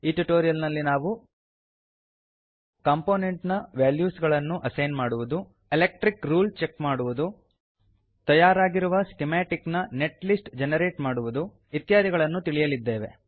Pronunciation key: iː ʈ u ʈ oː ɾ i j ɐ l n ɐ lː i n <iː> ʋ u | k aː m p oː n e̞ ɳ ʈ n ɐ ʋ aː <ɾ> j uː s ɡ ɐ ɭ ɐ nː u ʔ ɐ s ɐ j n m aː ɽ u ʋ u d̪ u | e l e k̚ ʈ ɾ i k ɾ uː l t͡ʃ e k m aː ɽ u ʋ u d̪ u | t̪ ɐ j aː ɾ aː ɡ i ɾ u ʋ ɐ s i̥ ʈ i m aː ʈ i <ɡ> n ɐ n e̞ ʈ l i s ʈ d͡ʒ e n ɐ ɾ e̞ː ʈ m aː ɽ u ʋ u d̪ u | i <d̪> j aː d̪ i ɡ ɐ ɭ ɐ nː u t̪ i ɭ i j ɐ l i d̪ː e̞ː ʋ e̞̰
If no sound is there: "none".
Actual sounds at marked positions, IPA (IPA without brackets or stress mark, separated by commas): aː, l, k, t̪